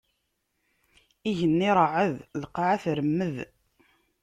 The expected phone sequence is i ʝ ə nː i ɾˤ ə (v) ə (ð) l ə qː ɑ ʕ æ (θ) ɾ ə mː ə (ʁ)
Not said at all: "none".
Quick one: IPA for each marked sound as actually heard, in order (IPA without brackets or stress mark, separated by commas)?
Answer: ʕ, ð, θ, ð